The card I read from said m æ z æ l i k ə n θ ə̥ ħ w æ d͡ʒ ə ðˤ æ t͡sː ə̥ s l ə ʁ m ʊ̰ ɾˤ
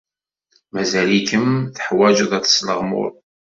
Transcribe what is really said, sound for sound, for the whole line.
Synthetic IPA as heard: m æ z æ l i k ə m θ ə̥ ħ w æ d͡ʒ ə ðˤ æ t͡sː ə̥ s l ə ʁ m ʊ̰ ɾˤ